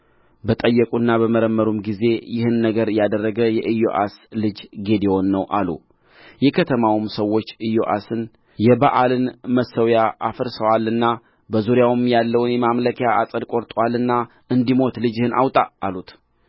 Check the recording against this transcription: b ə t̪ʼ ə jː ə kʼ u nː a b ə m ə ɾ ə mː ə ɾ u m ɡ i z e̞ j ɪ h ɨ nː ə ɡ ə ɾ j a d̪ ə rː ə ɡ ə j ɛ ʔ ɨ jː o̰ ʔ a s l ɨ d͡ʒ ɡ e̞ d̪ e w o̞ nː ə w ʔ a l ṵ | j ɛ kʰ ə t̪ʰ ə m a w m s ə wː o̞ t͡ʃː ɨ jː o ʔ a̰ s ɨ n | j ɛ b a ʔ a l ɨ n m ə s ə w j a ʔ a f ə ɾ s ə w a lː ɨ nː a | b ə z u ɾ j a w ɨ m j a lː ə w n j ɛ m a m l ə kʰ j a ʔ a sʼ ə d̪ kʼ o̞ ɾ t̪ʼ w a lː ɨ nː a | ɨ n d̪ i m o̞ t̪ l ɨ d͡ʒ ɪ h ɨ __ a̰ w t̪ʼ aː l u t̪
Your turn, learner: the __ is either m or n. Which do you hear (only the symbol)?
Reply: n